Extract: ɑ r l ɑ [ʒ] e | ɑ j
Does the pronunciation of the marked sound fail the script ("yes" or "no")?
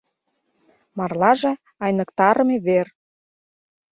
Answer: no